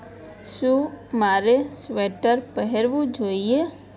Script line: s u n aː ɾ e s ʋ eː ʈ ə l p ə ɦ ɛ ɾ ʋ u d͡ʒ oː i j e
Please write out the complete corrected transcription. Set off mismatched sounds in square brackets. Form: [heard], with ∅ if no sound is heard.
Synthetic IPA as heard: s u [m] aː ɾ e s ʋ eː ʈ ə [ɾ] p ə ɦ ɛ ɾ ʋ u d͡ʒ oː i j e